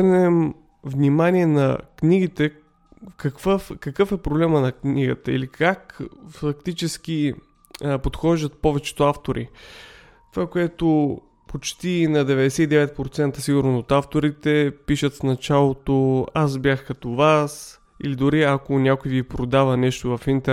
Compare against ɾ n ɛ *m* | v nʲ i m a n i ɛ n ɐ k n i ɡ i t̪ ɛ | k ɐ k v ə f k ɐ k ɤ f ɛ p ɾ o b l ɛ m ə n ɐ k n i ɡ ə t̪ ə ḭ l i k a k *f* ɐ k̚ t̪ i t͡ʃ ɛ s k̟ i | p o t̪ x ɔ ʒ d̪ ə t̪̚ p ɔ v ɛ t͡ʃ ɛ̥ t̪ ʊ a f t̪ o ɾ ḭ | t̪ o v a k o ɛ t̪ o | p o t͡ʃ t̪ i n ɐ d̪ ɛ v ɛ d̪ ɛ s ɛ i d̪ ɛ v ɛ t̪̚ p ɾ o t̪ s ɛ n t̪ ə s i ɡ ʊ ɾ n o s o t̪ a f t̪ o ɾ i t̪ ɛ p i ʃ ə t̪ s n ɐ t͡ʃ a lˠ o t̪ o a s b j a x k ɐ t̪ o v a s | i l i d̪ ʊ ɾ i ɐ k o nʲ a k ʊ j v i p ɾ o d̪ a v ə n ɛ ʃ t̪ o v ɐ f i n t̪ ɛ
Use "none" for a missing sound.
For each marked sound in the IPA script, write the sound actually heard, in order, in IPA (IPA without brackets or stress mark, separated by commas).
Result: m, f